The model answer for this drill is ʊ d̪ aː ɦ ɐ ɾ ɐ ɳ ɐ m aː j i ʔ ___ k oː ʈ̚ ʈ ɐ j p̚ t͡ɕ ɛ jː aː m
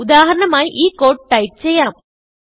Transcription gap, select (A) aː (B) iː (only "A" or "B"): B